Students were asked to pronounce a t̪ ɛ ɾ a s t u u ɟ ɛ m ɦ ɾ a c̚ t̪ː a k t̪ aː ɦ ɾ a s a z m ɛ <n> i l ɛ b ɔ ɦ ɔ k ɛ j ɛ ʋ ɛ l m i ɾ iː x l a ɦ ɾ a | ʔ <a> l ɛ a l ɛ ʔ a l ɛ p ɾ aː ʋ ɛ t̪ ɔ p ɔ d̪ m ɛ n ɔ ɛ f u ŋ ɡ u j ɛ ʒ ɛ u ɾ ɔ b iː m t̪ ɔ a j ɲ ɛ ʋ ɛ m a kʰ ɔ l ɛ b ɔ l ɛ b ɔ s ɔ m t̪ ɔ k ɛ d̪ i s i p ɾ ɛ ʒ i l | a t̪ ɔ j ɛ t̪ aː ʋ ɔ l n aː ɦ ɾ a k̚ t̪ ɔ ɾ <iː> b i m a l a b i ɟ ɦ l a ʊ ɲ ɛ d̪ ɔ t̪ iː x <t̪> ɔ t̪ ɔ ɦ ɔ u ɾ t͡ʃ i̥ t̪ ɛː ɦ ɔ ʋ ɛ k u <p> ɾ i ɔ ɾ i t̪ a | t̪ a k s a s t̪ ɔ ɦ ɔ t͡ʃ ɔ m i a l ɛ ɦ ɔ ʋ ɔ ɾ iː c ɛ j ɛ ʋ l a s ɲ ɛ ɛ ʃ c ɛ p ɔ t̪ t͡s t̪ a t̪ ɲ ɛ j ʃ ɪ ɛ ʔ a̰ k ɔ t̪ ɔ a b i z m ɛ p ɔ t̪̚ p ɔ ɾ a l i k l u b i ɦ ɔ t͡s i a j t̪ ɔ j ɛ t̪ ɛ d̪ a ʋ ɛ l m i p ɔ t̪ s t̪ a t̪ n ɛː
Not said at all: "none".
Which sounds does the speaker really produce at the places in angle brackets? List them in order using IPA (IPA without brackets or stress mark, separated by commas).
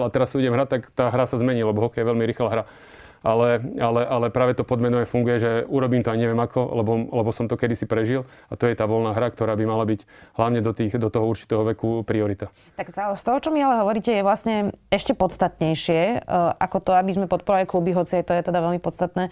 ɲ, a, aː, d̪, p